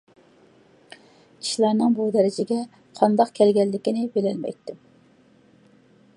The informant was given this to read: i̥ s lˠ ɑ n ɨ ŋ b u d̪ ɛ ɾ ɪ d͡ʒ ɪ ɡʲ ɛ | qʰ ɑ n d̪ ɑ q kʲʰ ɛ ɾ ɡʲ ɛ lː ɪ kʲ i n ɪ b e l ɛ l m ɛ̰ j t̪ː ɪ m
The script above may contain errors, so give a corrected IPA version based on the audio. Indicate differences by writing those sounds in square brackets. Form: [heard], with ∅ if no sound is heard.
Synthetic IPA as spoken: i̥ [ʃ] lˠ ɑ n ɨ ŋ b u d̪ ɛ ɾ ɪ d͡ʒ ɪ ɡʲ ɛ | qʰ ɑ n d̪ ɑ q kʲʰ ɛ [l] ɡʲ ɛ lː ɪ kʲ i n ɪ b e l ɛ l m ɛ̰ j t̪ː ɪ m